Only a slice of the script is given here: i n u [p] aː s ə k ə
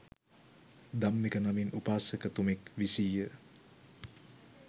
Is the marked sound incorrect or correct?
correct